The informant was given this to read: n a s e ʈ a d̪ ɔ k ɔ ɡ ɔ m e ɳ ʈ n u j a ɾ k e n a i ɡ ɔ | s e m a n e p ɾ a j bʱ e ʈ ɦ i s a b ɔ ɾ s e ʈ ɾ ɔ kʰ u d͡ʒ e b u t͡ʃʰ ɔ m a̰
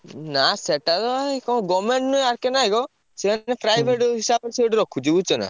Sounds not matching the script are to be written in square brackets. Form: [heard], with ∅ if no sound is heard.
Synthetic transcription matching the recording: n a s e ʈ a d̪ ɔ k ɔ ɡ ɔ m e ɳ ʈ n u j a ɾ k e n a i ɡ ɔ | s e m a n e p ɾ a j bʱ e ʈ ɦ i s a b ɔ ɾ s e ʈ ɾ ɔ kʰ u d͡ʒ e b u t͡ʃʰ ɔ [n] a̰